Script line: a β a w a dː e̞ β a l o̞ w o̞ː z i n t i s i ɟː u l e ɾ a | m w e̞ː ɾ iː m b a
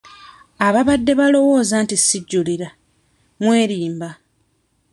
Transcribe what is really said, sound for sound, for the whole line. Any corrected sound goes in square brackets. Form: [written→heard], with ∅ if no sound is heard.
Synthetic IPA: a β a [w→β] a dː e̞ β a l o̞ w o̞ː z [i→a] n t i s i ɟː u l [e→i] ɾ a | m w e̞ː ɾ iː m b a